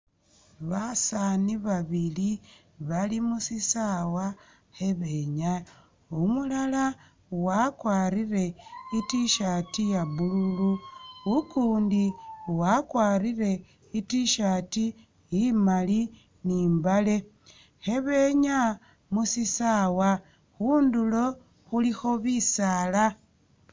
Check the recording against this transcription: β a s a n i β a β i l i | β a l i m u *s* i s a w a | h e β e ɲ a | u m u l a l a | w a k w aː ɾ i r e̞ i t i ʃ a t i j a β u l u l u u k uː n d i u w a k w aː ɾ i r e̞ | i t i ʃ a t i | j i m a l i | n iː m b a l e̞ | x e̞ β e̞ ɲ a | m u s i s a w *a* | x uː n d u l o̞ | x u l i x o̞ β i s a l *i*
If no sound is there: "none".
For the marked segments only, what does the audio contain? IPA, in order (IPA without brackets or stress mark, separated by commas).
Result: s, a, a